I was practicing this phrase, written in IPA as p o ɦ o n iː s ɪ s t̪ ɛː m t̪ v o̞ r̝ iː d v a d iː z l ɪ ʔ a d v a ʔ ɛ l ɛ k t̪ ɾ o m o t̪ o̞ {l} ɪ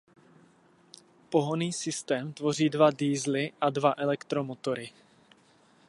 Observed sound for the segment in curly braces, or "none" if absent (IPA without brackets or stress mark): ɾ